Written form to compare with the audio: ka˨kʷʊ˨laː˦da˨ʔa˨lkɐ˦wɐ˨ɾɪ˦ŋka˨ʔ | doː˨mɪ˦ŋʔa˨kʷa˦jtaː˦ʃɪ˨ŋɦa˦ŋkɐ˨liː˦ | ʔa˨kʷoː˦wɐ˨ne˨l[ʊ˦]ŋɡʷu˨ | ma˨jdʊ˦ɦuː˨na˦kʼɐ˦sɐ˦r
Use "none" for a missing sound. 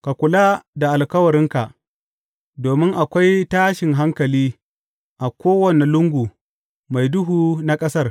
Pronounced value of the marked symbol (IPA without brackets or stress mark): ʊ˦